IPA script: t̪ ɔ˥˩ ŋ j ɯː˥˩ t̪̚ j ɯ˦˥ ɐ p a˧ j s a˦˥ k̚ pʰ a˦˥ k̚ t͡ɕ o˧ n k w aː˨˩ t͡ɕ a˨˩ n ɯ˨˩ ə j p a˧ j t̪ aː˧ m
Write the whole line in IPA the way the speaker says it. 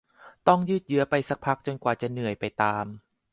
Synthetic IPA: t̪ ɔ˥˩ ŋ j ɯː˥˩ t̪̚ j ɯ˦˥ ɐ p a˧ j s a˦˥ k̚ pʰ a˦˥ k̚ t͡ɕ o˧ n k w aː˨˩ t͡ɕ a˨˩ n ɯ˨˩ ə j p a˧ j t̪ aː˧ m